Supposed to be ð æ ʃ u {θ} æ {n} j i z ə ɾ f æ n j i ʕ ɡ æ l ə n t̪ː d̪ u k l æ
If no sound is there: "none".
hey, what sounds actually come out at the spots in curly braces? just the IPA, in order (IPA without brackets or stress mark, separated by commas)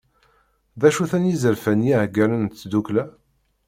θ, n